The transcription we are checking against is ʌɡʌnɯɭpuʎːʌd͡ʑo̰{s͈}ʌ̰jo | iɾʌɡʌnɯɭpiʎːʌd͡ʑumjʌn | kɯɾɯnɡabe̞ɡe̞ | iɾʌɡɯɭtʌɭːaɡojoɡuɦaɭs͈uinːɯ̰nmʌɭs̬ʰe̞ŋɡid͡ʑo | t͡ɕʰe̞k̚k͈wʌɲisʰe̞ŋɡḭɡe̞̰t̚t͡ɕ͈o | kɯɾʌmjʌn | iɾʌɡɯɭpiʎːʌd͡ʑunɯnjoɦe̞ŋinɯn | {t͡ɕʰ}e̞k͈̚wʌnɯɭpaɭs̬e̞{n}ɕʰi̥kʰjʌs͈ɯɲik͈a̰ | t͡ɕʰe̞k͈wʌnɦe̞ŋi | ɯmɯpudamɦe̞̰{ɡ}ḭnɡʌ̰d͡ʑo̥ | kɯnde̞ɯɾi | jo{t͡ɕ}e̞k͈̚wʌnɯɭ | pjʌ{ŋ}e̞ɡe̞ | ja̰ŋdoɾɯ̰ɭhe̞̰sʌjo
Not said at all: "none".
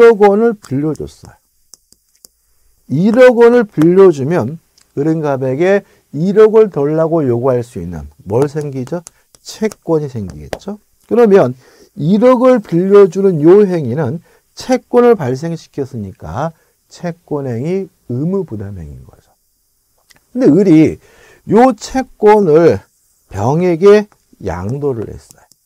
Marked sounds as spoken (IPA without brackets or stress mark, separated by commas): s͈, t͡ɕʰ, ŋ, ŋ, t͡ɕʰ, ŋ